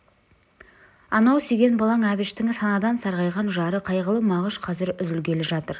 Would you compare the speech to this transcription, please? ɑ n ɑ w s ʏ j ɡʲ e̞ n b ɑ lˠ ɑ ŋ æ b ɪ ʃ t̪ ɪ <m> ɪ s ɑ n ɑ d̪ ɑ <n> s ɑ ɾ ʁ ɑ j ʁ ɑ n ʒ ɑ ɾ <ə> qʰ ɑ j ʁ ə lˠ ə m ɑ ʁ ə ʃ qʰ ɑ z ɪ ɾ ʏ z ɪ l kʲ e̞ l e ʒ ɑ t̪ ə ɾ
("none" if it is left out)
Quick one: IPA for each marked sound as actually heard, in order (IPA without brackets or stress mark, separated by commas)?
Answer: ŋ, n, ə